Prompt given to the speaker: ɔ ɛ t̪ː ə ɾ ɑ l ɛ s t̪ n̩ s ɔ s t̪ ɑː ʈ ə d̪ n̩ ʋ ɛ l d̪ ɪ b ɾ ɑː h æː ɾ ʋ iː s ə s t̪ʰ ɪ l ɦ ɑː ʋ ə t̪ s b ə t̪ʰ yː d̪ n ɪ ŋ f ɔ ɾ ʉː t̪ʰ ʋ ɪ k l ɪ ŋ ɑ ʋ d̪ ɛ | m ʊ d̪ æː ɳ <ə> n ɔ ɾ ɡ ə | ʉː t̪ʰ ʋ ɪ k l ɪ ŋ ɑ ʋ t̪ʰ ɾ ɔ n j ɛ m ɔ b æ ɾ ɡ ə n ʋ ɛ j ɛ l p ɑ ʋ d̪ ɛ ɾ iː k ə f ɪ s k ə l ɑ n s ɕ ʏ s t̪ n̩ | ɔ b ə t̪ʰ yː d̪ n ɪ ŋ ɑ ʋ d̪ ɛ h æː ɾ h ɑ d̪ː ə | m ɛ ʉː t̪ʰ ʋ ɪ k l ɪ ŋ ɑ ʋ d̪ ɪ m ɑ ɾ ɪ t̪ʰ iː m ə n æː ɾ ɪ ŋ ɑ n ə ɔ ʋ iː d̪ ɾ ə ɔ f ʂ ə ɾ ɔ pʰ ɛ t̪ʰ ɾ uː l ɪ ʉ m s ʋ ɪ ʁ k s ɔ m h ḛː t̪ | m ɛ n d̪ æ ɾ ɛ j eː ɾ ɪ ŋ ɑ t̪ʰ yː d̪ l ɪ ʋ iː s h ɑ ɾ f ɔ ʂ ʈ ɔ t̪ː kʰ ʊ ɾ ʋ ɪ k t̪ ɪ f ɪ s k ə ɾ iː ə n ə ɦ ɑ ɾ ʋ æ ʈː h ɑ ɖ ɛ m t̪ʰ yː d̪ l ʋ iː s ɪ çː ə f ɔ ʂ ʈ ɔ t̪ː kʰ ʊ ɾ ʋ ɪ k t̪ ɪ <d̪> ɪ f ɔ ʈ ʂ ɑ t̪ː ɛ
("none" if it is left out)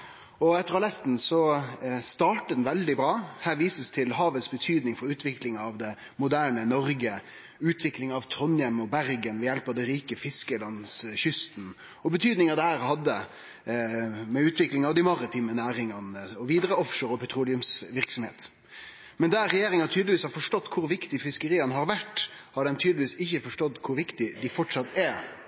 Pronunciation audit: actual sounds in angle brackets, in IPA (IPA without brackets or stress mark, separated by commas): ə, d̪